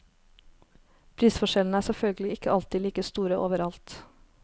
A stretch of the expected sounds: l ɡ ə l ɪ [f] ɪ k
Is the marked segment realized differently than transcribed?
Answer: yes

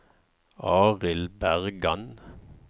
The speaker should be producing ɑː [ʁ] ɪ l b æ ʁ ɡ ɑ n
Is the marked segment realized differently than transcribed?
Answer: no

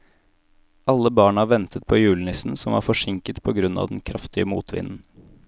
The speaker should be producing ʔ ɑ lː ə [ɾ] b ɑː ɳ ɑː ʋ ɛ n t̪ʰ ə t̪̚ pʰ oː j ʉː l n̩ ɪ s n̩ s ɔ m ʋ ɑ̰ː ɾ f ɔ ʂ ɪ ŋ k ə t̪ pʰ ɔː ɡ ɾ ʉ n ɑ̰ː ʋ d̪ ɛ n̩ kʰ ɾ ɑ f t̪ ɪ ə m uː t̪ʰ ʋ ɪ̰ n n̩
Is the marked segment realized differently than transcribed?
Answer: yes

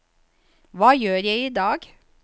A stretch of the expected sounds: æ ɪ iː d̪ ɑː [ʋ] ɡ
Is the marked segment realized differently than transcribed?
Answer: yes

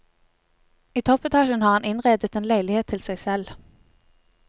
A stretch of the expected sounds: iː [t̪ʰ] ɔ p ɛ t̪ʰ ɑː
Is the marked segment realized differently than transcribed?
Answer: no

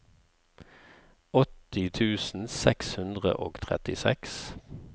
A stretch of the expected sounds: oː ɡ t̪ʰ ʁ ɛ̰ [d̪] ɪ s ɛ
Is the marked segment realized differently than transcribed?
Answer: yes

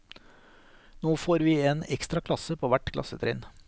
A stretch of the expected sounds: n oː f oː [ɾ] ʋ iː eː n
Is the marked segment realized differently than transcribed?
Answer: no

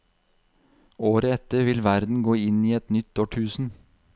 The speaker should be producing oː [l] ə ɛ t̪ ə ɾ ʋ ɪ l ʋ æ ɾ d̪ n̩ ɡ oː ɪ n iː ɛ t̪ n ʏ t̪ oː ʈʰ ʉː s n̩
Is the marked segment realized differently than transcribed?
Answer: yes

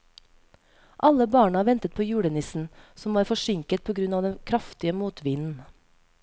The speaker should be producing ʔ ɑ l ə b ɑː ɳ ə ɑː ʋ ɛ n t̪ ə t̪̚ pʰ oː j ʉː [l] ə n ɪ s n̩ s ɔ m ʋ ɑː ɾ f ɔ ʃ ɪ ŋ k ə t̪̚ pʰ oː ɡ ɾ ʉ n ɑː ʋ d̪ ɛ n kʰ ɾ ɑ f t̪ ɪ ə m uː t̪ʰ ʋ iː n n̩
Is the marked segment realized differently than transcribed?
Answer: yes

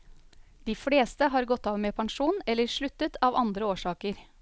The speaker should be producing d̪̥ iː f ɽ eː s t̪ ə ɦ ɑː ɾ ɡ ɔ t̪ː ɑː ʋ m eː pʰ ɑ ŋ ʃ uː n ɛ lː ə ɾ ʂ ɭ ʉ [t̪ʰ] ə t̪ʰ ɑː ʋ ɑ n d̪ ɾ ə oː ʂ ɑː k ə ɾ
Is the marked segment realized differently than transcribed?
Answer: yes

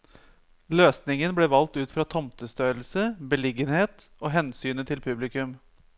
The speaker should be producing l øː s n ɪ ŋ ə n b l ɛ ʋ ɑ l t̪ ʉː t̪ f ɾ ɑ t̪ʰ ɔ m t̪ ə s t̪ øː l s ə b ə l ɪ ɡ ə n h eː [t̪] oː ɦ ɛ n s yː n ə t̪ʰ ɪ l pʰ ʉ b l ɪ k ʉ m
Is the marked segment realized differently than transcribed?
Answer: no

